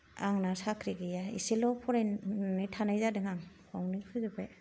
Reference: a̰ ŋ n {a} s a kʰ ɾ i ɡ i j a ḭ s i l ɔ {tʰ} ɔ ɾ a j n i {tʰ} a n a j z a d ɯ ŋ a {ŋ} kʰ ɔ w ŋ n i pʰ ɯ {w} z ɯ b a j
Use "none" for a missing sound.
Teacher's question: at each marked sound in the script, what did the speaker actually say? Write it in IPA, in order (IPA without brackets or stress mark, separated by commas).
a, pʰ, tʰ, ŋ, none